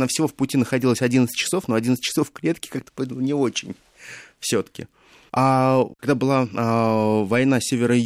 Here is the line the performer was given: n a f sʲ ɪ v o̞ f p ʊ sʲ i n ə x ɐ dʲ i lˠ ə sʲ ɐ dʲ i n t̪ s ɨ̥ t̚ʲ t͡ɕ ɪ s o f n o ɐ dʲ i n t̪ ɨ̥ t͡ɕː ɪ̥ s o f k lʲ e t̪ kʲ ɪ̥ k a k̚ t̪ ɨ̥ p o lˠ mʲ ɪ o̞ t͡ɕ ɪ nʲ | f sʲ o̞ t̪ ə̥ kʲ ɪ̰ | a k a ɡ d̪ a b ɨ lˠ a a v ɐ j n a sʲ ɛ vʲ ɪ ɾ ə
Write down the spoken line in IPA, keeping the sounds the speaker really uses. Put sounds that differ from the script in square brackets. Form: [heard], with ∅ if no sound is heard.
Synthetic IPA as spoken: n a f sʲ ɪ v o̞ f p ʊ [tʲ] i n ə x ɐ dʲ i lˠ ə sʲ ɐ dʲ i n t̪ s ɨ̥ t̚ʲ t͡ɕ ɪ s o f n o ɐ dʲ i n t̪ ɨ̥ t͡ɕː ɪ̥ s o f k lʲ e t̪ kʲ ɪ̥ k a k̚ t̪ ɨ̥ p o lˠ [nʲ] ɪ o̞ t͡ɕ ɪ nʲ | f sʲ o̞ t̪ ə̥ kʲ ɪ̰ | a k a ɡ d̪ a b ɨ lˠ a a v ɐ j n a sʲ [e] vʲ ɪ ɾ ə